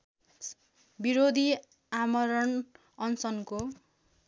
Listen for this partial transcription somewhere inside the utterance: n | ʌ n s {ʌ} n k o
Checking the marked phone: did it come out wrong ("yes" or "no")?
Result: no